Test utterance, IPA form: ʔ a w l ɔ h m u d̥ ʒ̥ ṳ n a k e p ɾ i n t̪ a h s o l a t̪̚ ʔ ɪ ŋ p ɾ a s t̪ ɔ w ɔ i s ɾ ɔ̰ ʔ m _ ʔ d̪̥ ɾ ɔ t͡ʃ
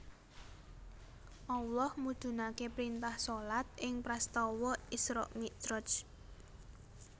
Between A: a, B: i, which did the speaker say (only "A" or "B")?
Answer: B